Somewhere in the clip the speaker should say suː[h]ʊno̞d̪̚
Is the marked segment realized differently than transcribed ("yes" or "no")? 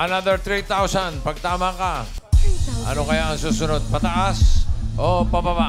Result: yes